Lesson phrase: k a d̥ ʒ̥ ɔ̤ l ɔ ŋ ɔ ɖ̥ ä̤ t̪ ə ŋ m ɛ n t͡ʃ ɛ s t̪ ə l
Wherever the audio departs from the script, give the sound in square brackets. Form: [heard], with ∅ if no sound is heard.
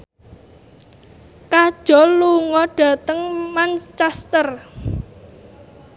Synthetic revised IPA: k a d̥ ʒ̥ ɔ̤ l [u] ŋ ɔ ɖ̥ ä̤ t̪ ə ŋ m [a] n t͡ʃ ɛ s t̪ ə [r]